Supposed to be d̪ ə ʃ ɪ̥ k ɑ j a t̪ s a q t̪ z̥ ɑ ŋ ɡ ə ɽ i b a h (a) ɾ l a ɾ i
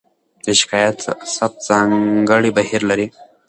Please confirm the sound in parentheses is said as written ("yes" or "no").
no